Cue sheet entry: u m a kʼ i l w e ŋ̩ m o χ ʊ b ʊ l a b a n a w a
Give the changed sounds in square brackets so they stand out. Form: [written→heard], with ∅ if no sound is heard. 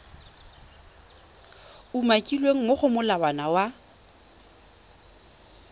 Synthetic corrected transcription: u m a kʼ i l w e ŋ̩ m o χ ʊ [b→m] ʊ l a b a n a w a

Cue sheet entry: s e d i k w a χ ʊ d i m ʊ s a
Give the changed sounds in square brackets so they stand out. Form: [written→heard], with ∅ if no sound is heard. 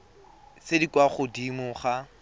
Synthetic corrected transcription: s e d i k w a χ ʊ d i m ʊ [s→χ] a

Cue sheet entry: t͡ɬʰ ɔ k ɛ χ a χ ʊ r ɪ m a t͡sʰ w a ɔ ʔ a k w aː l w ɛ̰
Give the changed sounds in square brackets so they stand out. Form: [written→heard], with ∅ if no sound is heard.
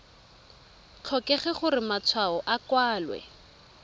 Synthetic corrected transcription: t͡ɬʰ ɔ k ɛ χ [a→ɛ] χ ʊ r ɪ m a t͡sʰ w a ɔ ʔ a k w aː l w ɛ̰

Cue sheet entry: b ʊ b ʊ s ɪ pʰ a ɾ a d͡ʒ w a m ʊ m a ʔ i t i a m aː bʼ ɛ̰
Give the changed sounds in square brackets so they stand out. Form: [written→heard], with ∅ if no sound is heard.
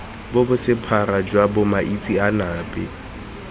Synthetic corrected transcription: b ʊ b ʊ s ɪ pʰ a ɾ a d͡ʒ w a [m→b] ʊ m a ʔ i [t→t͡sʼ] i a [m→n] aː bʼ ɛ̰

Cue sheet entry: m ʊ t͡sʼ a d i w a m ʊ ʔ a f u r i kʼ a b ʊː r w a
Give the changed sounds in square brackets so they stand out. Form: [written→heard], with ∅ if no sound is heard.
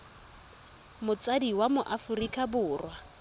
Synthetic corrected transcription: m ʊ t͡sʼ a d i w a m ʊ ʔ a f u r i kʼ a b ʊː r w a

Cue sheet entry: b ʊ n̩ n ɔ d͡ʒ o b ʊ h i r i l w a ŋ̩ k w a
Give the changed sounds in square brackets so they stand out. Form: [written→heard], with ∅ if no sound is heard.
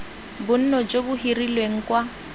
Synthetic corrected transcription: b ʊ n̩ n ɔ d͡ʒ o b ʊ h i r i l w [a→e] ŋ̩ k w a

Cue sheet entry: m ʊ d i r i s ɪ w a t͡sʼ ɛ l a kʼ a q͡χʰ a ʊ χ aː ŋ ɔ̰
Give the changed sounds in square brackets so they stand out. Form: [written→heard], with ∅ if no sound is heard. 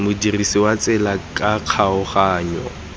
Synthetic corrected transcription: m ʊ d i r i s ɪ w a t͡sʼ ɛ l a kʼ a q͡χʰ a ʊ χ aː [ŋ→ɲ] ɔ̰

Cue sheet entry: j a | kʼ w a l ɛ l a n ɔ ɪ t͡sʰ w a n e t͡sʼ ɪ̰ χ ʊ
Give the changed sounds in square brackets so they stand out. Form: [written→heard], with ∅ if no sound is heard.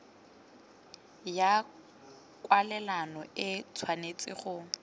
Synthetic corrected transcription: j a | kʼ w a l ɛ l a n ɔ ɪ t͡sʰ w a n e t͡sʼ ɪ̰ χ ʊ

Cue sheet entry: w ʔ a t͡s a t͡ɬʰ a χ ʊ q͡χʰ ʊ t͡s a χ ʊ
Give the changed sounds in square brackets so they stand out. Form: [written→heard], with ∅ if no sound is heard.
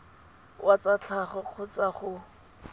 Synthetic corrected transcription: w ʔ a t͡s a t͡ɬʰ a χ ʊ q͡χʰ ʊ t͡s a χ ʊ

